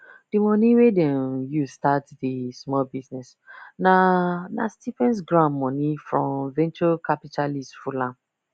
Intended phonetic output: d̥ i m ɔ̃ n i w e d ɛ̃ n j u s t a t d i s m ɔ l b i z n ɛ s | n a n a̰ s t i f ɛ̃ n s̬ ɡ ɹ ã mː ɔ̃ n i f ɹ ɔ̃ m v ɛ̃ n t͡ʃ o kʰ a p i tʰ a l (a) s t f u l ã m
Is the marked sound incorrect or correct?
incorrect